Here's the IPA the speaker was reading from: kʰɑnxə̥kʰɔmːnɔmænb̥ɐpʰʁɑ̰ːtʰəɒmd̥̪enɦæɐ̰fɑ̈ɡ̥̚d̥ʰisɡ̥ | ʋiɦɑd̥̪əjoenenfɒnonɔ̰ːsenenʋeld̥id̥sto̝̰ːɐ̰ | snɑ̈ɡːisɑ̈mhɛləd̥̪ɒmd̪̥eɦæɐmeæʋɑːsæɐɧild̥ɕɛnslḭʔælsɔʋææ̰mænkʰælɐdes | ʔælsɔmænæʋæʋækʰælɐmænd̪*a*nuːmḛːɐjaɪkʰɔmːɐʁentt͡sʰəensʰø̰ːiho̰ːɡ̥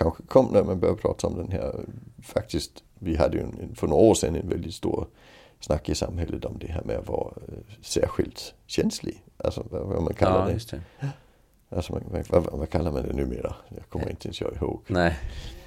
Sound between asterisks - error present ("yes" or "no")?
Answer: yes